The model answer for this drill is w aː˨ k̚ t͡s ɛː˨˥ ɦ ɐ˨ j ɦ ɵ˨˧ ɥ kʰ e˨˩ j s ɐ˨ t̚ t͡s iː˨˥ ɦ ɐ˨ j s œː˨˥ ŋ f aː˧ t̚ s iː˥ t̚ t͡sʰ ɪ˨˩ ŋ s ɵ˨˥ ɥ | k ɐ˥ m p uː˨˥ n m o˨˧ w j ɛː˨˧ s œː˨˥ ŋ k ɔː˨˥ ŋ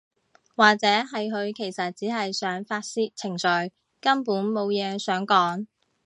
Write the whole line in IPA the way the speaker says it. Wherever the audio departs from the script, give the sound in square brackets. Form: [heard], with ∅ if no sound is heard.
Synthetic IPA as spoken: w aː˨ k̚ t͡s ɛː˨˥ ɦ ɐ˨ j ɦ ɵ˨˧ ɥ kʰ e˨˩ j s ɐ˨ t̚ t͡s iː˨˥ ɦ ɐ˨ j s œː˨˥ ŋ f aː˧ t̚ s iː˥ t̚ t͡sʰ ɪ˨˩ ŋ s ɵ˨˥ ɥ | k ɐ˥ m p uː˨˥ n m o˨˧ w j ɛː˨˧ s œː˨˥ ŋ k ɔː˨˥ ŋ